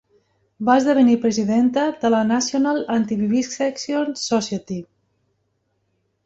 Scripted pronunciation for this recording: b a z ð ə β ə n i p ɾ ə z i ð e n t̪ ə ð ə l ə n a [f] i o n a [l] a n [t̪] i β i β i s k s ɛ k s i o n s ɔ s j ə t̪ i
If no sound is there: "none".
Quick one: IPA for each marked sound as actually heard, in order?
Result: s, l, t̪

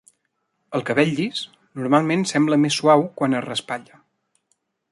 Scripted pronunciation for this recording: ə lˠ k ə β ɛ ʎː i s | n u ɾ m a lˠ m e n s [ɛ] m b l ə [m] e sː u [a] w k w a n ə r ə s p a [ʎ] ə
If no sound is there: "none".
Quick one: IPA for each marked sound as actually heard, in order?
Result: ɛ, m, a, ʎ

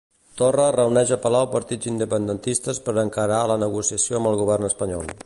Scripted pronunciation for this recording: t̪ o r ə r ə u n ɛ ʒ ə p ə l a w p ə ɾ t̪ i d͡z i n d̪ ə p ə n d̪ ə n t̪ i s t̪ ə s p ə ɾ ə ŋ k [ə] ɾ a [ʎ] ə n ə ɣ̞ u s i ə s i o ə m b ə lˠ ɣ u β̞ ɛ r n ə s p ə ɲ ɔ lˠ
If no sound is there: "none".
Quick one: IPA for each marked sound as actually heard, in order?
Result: ə, l

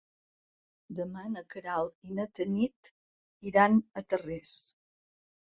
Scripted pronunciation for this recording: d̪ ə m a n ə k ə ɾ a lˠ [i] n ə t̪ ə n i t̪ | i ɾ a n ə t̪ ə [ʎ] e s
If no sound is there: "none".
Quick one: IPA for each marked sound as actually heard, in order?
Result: i, r

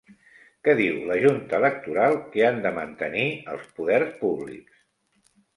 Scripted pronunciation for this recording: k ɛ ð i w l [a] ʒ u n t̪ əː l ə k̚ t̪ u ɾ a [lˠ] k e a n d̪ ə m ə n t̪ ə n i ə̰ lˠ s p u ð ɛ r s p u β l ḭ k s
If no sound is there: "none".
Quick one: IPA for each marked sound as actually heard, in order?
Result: ə, lˠ

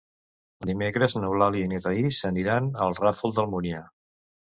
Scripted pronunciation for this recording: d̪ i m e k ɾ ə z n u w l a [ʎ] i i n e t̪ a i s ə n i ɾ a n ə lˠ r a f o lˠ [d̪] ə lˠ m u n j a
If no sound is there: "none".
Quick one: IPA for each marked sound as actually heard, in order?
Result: l, d̪

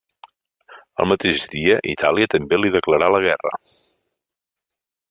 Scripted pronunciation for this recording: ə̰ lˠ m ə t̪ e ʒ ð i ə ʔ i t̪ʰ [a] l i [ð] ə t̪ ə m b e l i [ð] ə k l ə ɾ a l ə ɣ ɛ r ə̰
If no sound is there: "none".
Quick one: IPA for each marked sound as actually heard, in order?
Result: a, none, ð

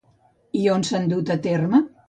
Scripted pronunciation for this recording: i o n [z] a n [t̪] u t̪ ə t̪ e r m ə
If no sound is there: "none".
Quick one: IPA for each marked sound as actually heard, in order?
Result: s, d̪

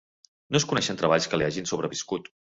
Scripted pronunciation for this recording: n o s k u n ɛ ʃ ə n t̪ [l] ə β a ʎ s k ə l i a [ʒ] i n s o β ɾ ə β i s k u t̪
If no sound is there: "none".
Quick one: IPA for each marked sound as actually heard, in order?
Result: ɾ, ʒ

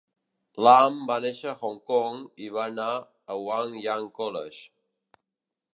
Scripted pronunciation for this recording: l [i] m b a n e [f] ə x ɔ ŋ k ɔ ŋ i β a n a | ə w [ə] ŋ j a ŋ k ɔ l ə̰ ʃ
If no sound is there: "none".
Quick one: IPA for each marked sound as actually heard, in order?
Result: a, ʃ, a

